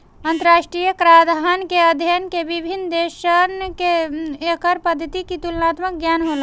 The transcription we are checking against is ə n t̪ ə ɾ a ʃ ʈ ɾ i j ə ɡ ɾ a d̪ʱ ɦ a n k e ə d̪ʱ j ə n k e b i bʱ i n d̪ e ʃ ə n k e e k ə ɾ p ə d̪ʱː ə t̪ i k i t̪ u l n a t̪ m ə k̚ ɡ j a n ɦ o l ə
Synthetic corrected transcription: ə n t̪ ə ɾ a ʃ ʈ ɾ i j ə k ɾ a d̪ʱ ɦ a n k e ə d̪ʱ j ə n k e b i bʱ i n d̪ e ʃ ə n k e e k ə ɾ p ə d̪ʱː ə t̪ i k i t̪ u l n a t̪ m ə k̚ ɡ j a n ɦ o l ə